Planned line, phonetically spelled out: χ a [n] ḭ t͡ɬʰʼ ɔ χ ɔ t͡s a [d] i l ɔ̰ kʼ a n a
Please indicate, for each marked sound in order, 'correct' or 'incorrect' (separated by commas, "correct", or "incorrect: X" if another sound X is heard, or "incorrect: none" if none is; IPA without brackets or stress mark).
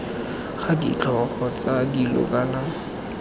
incorrect: d, correct